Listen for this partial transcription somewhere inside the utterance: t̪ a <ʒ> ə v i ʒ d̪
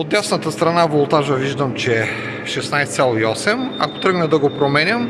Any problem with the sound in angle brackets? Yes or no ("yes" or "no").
no